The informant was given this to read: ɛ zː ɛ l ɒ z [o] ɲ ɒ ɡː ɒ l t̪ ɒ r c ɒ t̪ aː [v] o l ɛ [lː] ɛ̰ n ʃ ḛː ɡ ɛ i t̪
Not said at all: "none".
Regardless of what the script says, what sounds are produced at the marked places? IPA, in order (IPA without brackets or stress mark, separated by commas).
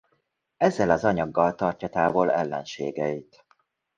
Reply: ɒ, v, lː